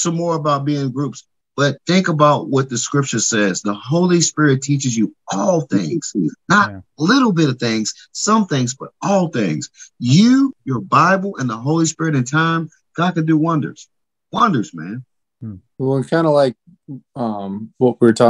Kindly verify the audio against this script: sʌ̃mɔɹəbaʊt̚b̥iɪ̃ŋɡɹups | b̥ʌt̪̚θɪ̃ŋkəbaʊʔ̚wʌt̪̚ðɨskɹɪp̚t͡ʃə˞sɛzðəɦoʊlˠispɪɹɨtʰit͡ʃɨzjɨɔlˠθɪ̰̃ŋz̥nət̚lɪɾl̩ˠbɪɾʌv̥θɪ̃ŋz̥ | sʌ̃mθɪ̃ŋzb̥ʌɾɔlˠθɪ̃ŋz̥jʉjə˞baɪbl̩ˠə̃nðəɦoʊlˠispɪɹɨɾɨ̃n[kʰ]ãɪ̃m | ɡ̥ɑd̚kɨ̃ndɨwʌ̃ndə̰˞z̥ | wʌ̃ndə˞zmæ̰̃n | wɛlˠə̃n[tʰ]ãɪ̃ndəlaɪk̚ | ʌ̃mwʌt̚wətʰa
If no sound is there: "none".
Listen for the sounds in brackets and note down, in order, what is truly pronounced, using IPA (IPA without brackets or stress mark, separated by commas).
tʰ, kʰ